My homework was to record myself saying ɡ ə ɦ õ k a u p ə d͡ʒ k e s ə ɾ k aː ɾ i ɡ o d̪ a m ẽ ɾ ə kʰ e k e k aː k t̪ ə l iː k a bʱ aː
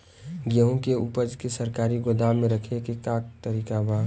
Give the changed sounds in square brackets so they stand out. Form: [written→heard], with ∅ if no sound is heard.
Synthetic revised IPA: ɡ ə ɦ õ k [a→e] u p ə d͡ʒ k e s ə ɾ k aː ɾ i ɡ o d̪ a m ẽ ɾ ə kʰ e k e k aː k t̪ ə [l→ɾ] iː k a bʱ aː